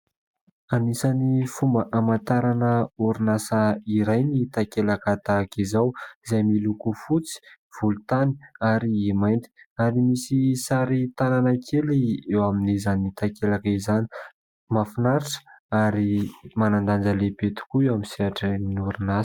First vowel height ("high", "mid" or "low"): low